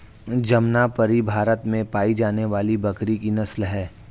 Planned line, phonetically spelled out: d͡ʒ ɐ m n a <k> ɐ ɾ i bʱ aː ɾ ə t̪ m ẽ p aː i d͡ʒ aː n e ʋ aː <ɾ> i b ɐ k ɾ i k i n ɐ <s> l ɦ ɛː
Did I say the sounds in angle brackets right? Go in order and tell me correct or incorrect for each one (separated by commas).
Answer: incorrect, incorrect, correct